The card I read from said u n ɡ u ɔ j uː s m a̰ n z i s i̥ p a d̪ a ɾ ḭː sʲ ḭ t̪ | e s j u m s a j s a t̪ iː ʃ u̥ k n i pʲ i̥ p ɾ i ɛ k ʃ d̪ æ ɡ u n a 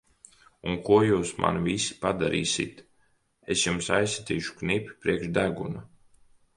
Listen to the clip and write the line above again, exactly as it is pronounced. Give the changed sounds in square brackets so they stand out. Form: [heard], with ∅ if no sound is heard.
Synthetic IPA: u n [k] u ɔ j uː s m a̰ n [v] i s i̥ p a d̪ a ɾ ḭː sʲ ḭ t̪ | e s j u m s a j s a t̪ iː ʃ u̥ k n i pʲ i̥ p ɾ i ɛ k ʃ d̪ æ ɡ u n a